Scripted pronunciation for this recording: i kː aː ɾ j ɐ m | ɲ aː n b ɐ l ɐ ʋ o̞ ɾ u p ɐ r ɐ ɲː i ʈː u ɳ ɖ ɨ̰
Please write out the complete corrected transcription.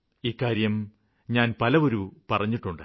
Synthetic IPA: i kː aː ɾ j ɐ m | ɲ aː n p ɐ l ɐ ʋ o̞ ɾ u p ɐ r ɐ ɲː i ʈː u ɳ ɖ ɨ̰